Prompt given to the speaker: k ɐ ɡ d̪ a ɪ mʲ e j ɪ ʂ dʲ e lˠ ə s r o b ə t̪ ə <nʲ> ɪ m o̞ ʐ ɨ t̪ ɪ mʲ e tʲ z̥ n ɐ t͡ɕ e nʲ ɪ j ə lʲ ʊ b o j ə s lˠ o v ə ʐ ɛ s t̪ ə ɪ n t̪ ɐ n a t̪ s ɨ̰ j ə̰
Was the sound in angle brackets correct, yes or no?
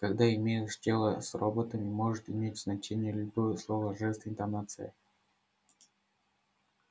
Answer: no